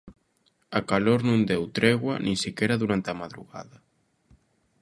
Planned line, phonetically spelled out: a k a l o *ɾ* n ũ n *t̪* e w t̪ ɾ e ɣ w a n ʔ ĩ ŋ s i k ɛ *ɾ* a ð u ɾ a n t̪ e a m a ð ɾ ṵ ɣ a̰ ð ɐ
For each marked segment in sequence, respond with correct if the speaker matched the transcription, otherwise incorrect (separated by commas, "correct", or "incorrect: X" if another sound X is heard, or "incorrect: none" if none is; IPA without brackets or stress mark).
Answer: correct, incorrect: d̪, correct